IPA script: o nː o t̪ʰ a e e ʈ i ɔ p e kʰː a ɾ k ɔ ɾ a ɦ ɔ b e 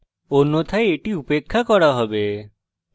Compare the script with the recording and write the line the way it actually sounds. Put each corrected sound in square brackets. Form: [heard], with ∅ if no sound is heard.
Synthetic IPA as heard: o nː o t̪ʰ a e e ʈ i [u] p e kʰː a [∅] k ɔ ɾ a ɦ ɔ b e

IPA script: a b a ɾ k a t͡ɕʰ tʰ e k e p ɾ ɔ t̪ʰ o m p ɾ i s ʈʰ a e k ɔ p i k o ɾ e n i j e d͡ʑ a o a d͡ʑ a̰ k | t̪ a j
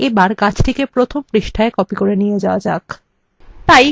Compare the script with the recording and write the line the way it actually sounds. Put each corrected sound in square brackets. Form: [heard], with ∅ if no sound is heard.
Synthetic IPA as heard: [e] b a ɾ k a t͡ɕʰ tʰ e k e p ɾ [o] t̪ʰ o m p ɾ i [ʃ] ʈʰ a e k ɔ p i k o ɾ e n i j e d͡ʑ a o a d͡ʑ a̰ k | t̪ a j

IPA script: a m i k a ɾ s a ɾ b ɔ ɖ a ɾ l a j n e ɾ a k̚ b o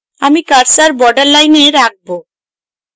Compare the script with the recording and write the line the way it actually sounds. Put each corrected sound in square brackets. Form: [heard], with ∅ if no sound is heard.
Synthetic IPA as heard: a m i k a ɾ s a ɾ b ɔ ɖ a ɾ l a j n e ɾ a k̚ b o

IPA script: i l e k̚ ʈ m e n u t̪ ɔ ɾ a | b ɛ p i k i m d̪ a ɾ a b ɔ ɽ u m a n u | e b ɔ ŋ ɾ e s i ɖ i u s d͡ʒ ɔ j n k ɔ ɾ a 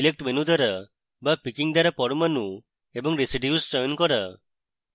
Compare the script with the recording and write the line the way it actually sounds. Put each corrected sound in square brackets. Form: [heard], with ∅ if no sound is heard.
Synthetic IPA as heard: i l e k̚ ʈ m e n u [d̪] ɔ ɾ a | b [a] p i k i [ŋ] d̪ a ɾ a [p] ɔ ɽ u m a n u | e b ɔ ŋ ɾ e s i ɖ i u s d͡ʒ ɔ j n k ɔ ɾ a

